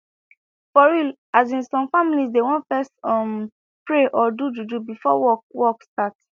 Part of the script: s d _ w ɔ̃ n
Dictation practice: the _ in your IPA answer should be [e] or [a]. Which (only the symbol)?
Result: e